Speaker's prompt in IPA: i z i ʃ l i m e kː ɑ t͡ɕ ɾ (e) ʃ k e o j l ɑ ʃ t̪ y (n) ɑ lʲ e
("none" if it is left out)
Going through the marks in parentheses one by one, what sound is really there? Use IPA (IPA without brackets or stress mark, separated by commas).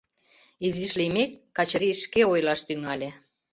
i, ŋ